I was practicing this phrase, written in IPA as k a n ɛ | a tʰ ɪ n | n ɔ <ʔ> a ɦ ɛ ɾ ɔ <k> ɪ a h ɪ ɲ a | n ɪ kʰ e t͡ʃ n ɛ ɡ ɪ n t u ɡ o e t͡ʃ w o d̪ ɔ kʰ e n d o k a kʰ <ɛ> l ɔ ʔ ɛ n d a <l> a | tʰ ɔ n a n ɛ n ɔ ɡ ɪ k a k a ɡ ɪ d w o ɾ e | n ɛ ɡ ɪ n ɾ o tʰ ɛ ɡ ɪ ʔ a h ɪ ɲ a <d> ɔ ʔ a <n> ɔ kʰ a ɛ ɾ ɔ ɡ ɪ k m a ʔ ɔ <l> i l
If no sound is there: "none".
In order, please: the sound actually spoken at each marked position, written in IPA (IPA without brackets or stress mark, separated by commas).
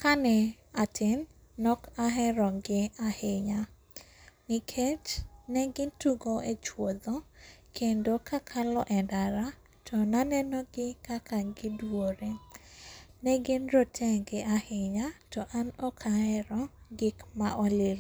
k, ɡ, a, ɾ, t, n, l